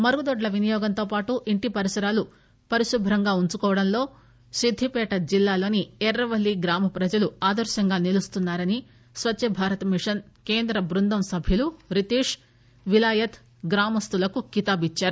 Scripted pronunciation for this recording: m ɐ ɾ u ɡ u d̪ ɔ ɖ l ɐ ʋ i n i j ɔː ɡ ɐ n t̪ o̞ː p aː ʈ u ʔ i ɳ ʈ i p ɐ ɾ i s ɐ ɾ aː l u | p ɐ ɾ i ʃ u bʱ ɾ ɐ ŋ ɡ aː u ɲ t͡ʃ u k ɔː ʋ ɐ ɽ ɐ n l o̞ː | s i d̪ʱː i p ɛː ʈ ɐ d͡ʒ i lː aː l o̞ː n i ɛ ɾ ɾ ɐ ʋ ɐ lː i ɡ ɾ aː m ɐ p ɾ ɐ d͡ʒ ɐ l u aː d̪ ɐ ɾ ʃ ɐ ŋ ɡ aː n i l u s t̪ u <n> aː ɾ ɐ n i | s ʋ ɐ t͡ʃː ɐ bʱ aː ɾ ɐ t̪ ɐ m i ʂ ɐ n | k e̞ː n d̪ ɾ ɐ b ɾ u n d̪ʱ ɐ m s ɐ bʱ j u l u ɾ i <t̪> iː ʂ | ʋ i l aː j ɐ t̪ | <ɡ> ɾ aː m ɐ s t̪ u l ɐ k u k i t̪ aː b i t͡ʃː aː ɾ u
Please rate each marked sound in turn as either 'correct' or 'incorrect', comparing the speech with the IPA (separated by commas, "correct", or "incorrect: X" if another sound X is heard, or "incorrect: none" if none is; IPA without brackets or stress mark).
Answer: incorrect: nː, correct, correct